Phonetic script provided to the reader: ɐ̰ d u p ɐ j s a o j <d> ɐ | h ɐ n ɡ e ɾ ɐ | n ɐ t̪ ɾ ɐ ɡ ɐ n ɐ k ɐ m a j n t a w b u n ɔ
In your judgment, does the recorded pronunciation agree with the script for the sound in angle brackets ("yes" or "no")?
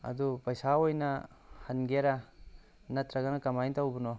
no